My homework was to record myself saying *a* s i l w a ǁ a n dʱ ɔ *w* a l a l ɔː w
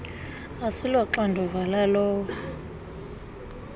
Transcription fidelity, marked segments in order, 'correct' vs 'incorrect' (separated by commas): correct, incorrect